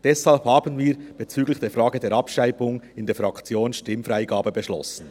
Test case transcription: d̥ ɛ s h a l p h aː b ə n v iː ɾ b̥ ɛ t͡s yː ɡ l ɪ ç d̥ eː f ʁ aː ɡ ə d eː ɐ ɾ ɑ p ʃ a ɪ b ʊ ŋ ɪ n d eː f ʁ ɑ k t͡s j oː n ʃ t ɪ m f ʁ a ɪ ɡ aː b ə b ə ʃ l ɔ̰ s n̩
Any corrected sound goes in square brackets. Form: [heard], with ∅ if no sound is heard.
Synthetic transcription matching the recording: d̥ ɛ s h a l p h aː b ə n v iː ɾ b̥ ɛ t͡s yː ɡ l ɪ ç d̥ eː f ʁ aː ɡ ə d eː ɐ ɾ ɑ p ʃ a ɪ b ʊ ŋ ɪ n d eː f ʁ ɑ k t͡s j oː n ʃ t ɪ m f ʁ a ɪ ɡ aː b ə b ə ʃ l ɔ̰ s n̩